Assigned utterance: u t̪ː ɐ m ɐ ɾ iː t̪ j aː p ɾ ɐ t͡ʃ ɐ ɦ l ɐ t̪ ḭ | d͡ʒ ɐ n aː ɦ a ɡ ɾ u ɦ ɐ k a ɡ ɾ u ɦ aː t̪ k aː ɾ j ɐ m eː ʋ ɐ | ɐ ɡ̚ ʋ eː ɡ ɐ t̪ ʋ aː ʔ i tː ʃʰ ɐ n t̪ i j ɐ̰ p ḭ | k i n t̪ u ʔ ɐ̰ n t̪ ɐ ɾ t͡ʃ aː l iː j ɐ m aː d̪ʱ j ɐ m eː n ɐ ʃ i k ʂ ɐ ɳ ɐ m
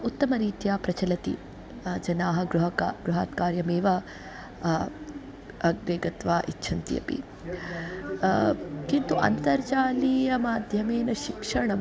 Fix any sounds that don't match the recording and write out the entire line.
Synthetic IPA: u t̪ː ɐ m ɐ ɾ iː t̪ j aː p ɾ ɐ t͡ʃ ɐ l ɐ t̪ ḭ | d͡ʒ ɐ n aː ɦ ɐ ɡ ɾ u ɦ ɐ k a ɡ ɾ u ɦ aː t̪ k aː ɾ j ɐ m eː ʋ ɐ | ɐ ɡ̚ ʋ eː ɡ ɐ t̪ ʋ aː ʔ i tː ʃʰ ɐ n t̪ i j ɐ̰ p ḭ | k i n t̪ u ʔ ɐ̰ n t̪ ɐ ɾ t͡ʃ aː l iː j ɐ m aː d̪ʱ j ɐ m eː n ɐ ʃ i k ʂ ɐ ɳ ɐ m